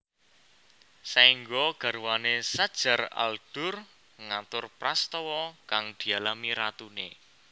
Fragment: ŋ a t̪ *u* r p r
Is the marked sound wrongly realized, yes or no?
yes